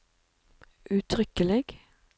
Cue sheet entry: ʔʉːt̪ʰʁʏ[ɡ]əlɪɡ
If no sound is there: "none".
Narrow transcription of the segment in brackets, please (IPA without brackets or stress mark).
k